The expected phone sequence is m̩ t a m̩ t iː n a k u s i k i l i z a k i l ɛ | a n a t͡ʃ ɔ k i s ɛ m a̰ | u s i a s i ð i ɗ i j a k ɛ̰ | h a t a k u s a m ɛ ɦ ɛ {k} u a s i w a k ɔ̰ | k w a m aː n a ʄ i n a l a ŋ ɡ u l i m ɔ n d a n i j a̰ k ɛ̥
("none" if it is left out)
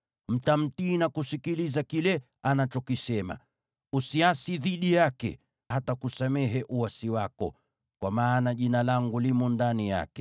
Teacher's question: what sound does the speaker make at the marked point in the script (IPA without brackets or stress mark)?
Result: ʔ